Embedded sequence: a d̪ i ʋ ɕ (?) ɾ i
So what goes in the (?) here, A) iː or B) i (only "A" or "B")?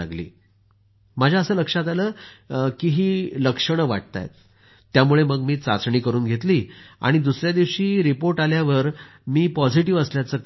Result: A